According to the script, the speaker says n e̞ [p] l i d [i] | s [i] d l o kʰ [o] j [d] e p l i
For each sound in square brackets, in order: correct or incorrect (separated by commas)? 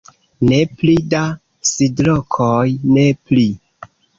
correct, incorrect, correct, correct, incorrect